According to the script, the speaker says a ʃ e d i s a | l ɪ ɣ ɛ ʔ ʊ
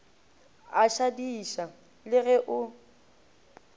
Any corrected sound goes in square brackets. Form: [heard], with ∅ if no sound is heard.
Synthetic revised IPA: a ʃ [a] d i [ʃ] a | l ɪ ɣ ɛ ʔ ʊ